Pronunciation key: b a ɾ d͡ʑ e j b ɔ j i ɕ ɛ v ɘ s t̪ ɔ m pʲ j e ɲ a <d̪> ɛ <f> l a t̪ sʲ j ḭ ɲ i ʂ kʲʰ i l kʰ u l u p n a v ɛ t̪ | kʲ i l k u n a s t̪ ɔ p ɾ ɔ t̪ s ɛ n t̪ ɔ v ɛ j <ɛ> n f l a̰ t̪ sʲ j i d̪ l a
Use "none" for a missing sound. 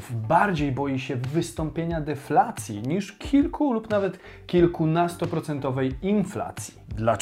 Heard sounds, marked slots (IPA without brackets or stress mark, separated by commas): d̪, f, i